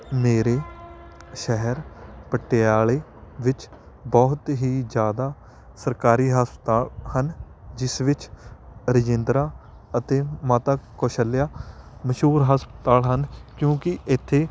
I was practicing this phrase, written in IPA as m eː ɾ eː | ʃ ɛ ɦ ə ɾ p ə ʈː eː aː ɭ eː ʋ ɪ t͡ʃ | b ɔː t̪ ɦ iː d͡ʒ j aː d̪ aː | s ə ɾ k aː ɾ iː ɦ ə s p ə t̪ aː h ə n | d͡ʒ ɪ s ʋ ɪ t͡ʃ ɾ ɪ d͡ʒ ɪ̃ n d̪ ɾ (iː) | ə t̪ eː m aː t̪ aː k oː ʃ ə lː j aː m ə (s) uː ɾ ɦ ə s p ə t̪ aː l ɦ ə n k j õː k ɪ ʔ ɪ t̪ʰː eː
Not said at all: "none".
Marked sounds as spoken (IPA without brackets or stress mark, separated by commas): aː, ʃ